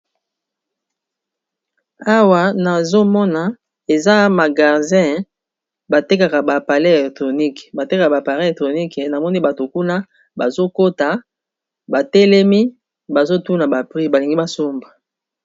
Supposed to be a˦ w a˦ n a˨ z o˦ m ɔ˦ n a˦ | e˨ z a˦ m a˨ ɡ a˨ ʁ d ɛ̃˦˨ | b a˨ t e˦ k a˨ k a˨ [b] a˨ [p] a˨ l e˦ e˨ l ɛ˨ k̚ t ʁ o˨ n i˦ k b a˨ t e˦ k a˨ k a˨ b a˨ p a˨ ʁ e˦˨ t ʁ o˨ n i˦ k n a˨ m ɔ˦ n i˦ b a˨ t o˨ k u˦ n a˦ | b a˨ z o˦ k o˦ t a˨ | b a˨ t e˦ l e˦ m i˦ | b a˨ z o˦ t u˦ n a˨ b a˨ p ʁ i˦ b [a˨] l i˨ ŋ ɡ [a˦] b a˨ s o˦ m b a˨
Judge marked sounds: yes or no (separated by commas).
yes, yes, yes, no